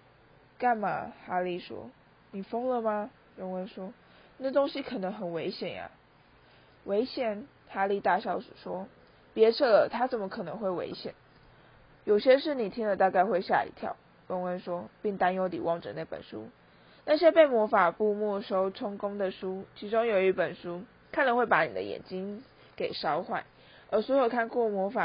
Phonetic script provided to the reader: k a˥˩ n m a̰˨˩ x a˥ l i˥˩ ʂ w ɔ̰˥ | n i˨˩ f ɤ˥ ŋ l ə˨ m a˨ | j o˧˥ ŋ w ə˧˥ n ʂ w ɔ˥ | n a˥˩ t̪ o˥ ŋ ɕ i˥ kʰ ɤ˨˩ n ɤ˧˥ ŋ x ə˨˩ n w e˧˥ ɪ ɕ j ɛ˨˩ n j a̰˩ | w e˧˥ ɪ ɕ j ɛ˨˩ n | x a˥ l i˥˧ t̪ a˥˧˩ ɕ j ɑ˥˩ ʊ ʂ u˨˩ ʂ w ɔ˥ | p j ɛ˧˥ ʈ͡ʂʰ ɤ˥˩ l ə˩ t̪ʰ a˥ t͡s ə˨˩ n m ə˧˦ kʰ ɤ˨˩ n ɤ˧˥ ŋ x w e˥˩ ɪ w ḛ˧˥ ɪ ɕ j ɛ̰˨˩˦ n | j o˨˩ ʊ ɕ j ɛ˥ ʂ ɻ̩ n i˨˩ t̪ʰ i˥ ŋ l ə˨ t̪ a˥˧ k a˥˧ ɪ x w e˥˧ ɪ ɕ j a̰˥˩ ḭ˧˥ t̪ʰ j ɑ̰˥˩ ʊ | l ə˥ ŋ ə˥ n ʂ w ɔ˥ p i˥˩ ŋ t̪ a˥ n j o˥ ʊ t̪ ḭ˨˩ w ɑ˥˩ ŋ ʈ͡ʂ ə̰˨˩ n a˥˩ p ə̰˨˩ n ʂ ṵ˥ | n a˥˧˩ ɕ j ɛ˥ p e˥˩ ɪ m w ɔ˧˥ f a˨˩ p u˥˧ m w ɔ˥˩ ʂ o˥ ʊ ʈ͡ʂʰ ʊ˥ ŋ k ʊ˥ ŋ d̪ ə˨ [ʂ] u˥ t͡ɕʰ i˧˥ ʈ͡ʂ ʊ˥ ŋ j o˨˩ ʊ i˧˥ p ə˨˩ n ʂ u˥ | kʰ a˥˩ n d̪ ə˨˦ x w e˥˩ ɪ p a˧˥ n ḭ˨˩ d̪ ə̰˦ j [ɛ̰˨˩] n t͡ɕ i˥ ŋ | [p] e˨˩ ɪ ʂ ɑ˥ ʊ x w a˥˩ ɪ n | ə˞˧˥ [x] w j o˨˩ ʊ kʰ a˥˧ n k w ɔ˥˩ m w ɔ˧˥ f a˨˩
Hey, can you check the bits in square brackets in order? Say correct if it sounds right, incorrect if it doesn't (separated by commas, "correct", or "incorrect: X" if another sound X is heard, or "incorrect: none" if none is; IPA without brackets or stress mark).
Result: correct, correct, incorrect: k, incorrect: s